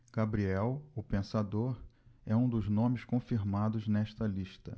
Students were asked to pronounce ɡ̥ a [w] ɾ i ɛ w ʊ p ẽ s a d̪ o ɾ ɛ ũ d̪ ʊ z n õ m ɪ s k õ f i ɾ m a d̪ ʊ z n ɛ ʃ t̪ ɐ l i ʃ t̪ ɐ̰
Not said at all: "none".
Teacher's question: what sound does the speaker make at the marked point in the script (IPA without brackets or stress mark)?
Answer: b